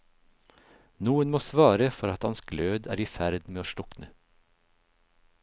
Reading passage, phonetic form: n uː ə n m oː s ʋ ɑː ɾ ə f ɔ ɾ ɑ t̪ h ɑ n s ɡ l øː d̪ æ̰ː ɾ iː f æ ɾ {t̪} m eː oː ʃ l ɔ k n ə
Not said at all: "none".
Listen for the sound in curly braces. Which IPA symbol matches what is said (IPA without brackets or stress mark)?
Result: d̪